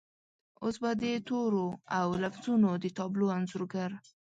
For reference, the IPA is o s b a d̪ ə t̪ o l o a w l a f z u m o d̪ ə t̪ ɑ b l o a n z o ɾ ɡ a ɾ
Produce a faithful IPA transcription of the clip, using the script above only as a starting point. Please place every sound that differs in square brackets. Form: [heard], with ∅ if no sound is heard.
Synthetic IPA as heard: o s b a d̪ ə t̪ o [ɾ] o a w l a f z u [n] o d̪ ə t̪ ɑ b l o a n z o ɾ ɡ a ɾ